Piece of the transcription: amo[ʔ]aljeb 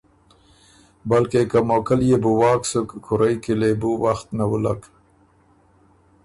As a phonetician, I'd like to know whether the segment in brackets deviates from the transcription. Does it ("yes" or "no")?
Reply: yes